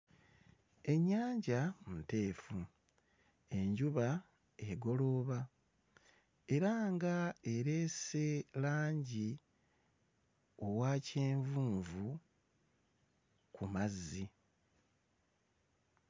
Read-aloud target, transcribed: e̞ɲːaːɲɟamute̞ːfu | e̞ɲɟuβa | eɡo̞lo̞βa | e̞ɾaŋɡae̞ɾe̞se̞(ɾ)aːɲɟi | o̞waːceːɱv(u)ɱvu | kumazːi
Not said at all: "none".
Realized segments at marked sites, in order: l, uː

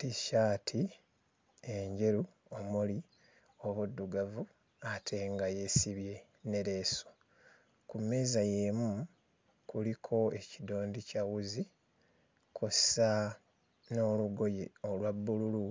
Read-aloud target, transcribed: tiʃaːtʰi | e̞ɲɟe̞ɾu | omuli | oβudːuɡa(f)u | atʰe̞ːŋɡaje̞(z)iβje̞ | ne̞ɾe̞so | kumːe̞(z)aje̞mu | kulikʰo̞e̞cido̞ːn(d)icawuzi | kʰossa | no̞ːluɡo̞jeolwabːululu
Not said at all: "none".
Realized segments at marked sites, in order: v, s, z, d

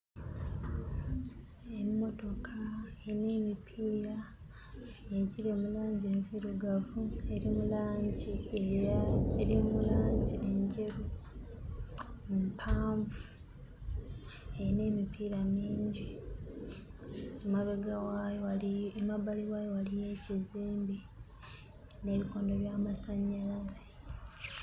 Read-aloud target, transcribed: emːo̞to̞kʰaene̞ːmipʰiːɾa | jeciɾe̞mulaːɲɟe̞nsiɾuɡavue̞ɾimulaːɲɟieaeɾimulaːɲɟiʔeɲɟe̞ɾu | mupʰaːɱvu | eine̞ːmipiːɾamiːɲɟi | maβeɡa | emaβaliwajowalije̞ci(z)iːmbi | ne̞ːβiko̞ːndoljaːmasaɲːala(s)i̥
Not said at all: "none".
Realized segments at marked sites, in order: z, z

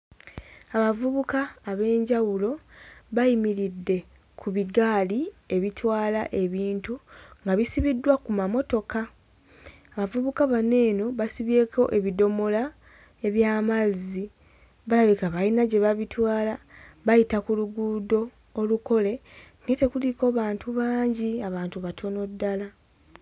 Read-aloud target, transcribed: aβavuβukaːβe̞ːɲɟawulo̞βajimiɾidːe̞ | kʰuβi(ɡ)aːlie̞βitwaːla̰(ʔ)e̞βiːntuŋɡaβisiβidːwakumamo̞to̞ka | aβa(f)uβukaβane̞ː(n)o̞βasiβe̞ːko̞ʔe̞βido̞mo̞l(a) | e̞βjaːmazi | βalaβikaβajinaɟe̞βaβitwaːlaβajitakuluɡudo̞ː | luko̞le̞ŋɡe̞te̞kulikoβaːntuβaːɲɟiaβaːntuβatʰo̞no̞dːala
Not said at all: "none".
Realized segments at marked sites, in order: ɡ, ʔ, v, n, a

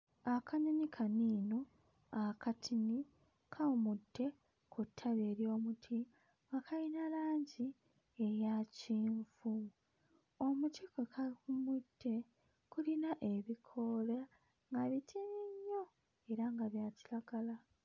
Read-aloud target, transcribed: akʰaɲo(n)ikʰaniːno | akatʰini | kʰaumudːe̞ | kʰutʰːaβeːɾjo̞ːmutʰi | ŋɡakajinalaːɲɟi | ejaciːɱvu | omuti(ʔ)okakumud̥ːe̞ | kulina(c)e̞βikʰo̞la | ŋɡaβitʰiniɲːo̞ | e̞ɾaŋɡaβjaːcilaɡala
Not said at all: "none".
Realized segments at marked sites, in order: ɲ, k, ʔ

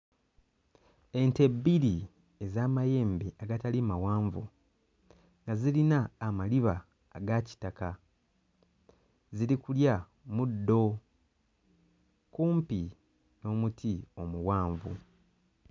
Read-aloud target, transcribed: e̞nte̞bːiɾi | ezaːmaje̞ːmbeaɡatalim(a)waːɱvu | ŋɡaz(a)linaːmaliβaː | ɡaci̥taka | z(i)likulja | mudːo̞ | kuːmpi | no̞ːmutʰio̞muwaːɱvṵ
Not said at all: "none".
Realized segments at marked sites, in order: a, i, i

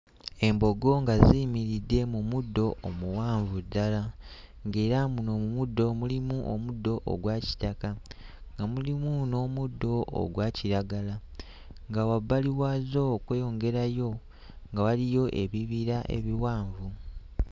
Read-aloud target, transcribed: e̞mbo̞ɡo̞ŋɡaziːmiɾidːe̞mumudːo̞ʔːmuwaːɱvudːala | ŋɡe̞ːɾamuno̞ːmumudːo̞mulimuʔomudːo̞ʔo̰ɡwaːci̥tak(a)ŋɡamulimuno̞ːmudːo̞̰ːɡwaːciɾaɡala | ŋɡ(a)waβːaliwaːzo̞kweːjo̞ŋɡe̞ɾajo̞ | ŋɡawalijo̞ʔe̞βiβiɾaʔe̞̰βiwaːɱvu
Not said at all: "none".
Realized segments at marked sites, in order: a, a

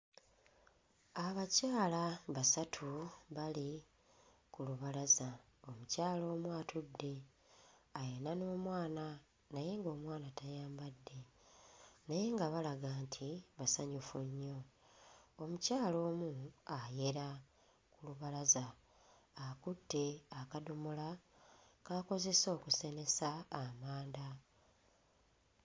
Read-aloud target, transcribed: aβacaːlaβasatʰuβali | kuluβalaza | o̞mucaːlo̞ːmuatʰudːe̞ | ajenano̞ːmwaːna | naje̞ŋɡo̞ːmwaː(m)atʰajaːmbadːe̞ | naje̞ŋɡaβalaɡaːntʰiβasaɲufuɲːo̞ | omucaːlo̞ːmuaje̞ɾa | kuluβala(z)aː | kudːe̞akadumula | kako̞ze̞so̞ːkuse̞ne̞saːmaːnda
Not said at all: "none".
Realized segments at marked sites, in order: n, z

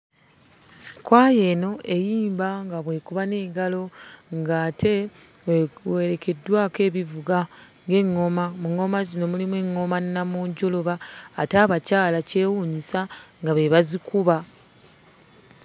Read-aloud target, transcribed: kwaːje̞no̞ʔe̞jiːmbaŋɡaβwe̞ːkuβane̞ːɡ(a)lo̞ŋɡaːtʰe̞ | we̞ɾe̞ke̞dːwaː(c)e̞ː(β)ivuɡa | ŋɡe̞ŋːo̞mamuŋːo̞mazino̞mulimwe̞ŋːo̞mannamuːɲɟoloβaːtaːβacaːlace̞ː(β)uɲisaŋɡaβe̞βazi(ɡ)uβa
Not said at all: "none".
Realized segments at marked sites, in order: a, k, β, w, k

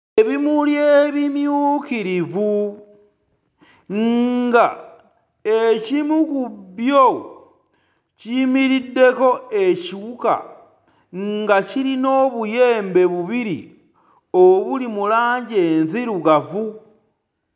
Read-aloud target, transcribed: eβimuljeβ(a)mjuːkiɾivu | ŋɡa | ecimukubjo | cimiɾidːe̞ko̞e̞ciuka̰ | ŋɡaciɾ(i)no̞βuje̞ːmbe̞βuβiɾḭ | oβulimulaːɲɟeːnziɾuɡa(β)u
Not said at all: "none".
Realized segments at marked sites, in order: i, i, v

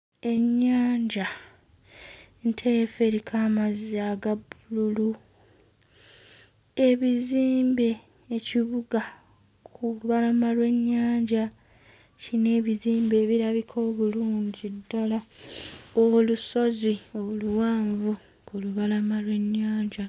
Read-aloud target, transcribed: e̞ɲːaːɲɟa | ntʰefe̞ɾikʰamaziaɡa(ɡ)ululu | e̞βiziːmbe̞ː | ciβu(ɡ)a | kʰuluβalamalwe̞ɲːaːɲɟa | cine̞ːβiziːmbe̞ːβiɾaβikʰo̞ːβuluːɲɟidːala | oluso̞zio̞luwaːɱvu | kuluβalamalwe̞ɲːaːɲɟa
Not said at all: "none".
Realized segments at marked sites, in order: b, ɡ

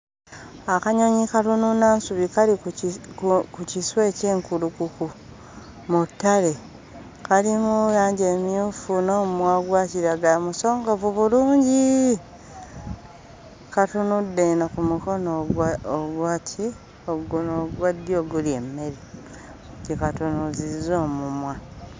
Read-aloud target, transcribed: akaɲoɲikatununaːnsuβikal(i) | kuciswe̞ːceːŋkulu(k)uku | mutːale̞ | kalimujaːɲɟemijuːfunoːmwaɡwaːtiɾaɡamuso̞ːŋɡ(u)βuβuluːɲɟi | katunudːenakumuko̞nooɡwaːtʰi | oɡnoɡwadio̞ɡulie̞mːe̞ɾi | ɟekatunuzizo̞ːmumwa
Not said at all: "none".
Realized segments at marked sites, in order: i, k, o

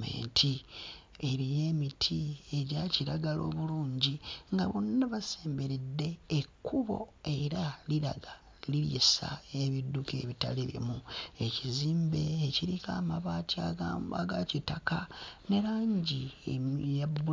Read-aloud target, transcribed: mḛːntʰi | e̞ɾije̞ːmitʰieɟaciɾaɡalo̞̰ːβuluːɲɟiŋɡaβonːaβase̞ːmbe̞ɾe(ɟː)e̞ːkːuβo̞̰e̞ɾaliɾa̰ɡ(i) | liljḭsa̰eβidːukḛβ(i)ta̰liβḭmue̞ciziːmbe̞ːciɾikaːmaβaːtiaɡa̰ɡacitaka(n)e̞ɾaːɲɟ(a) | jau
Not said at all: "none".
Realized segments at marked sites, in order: dː, a, i, n, i

